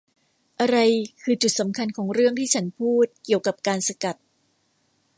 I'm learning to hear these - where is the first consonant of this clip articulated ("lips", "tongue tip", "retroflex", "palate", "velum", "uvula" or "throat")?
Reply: throat